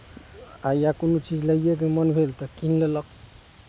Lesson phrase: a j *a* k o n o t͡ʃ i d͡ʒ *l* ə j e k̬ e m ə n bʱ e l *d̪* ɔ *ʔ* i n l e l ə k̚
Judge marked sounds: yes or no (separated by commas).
yes, yes, no, no